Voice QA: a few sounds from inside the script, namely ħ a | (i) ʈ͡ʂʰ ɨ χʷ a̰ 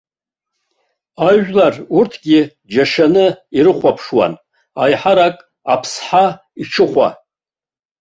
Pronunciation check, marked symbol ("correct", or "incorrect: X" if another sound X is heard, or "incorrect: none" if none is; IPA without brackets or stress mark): correct